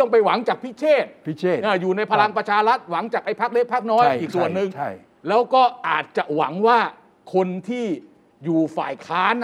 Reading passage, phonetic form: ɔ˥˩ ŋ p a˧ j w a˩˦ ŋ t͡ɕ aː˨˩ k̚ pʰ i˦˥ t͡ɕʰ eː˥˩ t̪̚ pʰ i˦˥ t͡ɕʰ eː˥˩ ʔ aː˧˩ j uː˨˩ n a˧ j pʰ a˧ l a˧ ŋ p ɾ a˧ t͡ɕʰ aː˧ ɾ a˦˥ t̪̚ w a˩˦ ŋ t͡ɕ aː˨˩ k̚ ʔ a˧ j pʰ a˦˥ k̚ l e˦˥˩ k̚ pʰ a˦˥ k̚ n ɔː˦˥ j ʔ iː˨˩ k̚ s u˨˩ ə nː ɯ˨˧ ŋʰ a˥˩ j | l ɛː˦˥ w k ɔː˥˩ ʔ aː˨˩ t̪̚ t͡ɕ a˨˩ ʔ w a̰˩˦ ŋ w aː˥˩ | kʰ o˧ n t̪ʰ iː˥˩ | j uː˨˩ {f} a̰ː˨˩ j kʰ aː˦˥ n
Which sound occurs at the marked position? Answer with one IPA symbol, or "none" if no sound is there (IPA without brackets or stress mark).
f